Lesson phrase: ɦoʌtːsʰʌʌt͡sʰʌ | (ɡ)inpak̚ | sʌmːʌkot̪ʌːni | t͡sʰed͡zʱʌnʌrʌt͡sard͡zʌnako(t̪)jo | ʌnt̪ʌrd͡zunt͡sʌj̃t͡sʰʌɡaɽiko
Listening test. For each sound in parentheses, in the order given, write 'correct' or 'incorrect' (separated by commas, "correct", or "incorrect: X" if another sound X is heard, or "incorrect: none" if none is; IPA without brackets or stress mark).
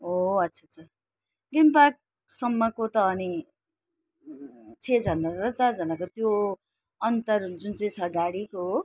correct, correct